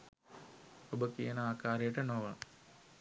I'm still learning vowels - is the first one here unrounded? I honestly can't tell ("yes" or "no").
no